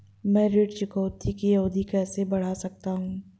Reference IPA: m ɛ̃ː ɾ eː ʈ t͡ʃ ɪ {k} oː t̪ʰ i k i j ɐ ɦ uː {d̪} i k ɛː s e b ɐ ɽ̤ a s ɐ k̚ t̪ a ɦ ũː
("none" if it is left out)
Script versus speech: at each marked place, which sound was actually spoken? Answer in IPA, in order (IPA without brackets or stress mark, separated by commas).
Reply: k, d̪